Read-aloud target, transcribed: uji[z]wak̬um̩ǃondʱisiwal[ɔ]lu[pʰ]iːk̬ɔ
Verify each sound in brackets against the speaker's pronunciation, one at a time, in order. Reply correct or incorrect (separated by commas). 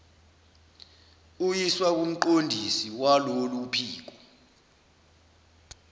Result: incorrect, incorrect, correct